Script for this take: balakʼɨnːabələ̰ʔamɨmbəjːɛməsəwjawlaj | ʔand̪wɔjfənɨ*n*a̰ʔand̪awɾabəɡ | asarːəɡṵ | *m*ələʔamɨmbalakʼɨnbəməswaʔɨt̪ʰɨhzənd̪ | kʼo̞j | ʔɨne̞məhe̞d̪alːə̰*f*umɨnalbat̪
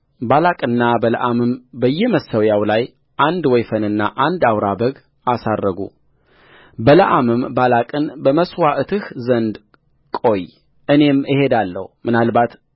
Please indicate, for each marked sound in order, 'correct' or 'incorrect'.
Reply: incorrect, incorrect, incorrect

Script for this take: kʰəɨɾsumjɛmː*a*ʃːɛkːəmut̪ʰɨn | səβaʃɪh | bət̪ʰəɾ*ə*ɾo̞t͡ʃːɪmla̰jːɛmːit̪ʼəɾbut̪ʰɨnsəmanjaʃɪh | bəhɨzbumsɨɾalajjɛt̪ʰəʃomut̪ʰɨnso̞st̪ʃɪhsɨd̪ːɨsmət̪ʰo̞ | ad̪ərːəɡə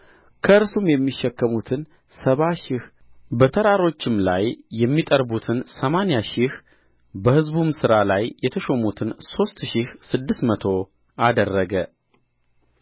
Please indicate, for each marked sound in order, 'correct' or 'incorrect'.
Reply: incorrect, incorrect

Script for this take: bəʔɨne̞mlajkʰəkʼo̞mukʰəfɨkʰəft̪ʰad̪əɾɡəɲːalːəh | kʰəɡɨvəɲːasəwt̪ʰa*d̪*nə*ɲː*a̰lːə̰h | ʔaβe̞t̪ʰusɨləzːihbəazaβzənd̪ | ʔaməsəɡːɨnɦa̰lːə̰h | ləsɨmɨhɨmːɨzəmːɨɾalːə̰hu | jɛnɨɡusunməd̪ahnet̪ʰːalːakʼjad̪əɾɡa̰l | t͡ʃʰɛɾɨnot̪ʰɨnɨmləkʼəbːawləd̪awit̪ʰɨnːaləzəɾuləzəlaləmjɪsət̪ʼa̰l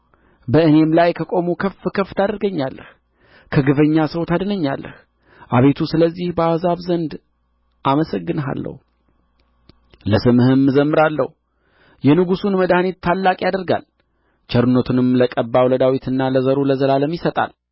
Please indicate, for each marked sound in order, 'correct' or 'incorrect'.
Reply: correct, correct

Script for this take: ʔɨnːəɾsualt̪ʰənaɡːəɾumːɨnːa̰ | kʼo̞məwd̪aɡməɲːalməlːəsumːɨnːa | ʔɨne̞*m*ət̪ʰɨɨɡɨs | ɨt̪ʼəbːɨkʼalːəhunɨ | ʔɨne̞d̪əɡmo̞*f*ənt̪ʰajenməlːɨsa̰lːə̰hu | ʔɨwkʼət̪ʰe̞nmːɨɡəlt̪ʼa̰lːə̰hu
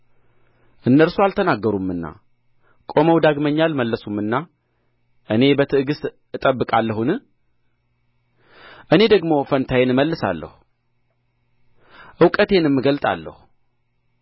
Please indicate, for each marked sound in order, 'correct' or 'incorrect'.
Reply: incorrect, correct

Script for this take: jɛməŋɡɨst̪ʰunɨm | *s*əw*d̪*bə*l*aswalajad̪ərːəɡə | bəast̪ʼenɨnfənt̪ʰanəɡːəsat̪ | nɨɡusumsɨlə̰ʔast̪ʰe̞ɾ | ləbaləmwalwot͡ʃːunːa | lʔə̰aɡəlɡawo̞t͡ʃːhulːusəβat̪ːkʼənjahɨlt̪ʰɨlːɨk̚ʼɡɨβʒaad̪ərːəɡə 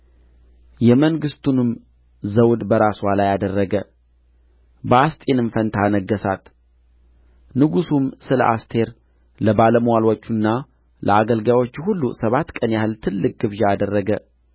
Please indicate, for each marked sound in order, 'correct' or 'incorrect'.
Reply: incorrect, correct, incorrect

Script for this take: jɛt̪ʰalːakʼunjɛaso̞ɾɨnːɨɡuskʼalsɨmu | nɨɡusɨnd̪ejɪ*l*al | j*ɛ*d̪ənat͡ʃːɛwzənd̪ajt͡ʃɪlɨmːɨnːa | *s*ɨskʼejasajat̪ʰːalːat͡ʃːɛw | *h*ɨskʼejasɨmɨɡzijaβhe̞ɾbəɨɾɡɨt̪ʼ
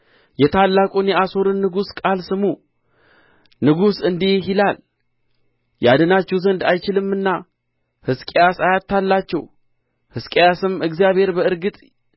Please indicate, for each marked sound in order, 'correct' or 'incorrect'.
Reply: correct, incorrect, incorrect, correct

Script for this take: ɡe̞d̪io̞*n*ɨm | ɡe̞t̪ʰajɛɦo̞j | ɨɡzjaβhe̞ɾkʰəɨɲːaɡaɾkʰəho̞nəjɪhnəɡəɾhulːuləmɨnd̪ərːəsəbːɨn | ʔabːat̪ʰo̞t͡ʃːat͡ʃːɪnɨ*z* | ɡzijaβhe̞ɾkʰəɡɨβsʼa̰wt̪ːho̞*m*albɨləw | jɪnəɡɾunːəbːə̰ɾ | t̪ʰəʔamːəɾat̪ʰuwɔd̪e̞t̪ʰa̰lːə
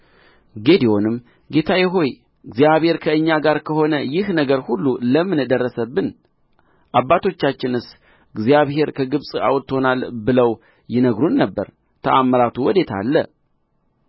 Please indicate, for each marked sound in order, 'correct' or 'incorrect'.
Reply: correct, incorrect, incorrect

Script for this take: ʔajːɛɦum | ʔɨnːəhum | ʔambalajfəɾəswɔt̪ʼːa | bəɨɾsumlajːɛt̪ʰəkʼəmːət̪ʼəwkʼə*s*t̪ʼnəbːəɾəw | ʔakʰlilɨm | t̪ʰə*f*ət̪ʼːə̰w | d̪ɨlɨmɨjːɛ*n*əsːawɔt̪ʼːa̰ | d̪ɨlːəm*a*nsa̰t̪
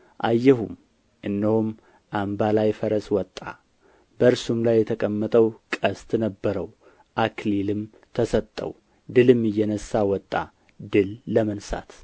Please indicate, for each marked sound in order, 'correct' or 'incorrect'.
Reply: correct, incorrect, correct, incorrect

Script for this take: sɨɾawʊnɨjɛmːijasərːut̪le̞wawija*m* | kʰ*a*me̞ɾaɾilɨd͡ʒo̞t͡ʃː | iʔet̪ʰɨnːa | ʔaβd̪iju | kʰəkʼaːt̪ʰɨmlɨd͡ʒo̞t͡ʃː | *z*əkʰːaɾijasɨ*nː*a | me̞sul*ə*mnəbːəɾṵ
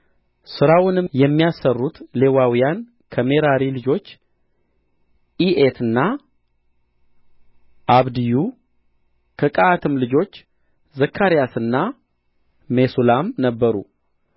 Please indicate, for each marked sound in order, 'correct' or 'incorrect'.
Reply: incorrect, incorrect, correct, correct, incorrect

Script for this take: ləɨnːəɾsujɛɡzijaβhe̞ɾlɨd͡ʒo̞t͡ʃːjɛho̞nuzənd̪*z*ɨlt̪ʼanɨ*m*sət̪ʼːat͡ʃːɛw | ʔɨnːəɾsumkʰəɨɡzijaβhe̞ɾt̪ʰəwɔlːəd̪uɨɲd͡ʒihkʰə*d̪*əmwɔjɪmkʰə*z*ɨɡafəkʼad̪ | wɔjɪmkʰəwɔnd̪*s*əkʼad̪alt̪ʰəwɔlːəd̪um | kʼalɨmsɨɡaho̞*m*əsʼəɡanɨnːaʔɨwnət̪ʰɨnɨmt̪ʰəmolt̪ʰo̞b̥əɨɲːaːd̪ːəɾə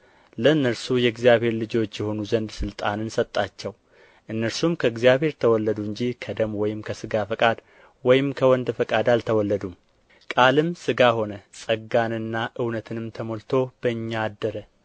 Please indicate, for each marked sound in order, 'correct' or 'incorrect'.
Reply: incorrect, incorrect, correct, incorrect, incorrect, incorrect

